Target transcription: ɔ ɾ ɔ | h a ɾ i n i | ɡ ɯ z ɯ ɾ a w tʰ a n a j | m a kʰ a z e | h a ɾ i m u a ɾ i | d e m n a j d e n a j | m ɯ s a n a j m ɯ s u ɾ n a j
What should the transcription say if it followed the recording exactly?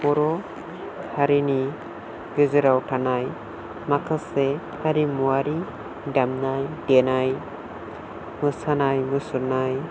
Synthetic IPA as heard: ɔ ɾ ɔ | h a ɾ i n i | ɡ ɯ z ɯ ɾ a w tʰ a n a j | m a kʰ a s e | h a ɾ i m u a ɾ i | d a m n a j d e n a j | m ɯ s a n a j m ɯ s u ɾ n a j